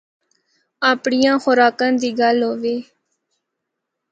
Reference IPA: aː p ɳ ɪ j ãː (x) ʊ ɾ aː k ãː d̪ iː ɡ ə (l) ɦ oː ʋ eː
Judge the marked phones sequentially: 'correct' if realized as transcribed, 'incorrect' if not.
correct, correct

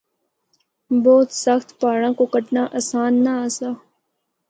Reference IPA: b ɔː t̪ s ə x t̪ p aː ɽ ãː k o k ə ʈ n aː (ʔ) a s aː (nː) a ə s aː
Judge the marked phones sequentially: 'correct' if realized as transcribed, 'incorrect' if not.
correct, correct

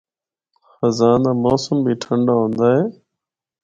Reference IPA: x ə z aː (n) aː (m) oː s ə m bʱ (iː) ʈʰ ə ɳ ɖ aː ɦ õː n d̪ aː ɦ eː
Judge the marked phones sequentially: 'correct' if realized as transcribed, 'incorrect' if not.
correct, correct, correct

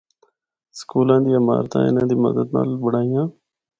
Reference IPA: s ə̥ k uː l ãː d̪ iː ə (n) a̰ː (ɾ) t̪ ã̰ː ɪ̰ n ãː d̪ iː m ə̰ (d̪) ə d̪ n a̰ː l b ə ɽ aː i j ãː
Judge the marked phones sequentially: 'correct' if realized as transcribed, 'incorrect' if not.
incorrect: m, correct, correct

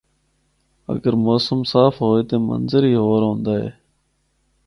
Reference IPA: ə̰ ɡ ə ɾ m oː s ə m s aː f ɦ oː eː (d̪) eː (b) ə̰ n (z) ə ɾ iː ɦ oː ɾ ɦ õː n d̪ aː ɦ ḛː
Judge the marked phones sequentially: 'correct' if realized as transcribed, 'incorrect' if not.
incorrect: t̪, incorrect: m, correct

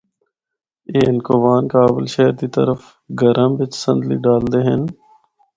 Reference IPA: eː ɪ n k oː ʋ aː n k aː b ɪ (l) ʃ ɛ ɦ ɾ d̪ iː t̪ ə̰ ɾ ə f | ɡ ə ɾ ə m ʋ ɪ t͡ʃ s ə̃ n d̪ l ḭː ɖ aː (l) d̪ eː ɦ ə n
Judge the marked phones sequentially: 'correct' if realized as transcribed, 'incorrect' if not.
correct, correct

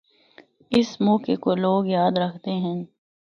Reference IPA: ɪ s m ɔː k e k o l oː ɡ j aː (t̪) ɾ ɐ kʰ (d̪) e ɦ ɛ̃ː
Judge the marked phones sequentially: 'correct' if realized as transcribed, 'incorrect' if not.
incorrect: d̪, incorrect: t̪

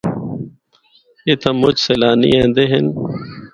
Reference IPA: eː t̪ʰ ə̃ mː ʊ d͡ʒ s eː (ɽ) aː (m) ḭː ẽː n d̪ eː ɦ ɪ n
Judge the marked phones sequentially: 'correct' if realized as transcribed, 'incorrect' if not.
incorrect: l, incorrect: n

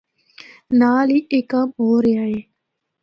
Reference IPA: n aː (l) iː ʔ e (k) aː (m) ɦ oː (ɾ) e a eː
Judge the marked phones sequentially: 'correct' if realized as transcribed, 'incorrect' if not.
correct, correct, correct, correct

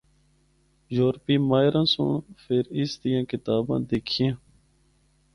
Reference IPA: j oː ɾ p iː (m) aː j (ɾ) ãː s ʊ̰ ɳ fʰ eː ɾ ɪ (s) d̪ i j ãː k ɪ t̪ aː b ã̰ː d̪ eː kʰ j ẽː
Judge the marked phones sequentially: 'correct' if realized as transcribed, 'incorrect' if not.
correct, correct, correct

